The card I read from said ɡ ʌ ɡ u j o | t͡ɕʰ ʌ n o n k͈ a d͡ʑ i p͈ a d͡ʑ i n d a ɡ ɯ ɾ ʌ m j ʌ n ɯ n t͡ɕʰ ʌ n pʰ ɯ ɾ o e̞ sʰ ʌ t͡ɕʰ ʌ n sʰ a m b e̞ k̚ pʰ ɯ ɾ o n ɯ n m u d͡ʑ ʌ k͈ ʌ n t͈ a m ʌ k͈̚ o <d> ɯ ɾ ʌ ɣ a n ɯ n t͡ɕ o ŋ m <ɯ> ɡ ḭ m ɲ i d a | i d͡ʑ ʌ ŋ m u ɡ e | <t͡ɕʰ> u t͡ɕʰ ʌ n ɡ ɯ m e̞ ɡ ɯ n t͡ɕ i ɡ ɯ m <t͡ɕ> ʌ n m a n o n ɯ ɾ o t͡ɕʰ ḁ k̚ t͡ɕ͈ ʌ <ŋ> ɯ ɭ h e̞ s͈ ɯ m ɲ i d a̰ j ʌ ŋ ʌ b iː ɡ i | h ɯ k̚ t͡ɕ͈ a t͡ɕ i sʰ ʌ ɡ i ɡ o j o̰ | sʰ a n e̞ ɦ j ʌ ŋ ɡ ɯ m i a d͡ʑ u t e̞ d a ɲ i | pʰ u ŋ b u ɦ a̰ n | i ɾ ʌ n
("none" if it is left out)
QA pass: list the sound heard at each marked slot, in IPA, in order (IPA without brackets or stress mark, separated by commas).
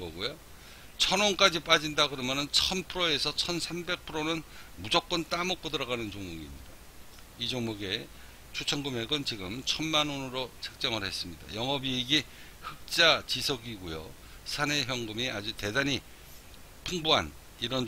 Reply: d, u, t͡ɕʰ, t͡ɕʰ, ŋ